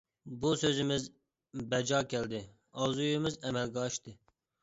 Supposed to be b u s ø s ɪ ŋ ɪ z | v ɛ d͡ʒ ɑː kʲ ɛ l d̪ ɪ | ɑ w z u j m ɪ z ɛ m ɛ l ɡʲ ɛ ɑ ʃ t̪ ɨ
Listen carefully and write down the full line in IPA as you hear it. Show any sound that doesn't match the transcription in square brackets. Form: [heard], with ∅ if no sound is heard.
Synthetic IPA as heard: b u s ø [z] ɪ [m] ɪ z | [b] ɛ d͡ʒ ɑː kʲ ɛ l d̪ ɪ | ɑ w z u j m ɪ z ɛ m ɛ l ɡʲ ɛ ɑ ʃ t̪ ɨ